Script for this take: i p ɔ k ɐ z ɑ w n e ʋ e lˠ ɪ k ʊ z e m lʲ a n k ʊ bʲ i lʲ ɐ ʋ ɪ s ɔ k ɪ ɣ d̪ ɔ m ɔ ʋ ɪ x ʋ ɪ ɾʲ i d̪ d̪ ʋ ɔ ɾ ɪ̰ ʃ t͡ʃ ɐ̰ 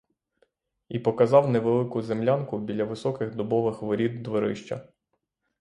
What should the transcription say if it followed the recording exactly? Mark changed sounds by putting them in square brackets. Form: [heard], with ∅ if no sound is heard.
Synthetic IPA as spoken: i p ɔ k ɐ z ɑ w n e ʋ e lˠ ɪ k ʊ z e m lʲ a n k ʊ bʲ i lʲ ɐ ʋ ɪ s ɔ k ɪ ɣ d̪ ɔ [b] ɔ ʋ ɪ x ʋ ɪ ɾʲ i d̪ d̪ ʋ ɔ ɾ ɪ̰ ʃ t͡ʃ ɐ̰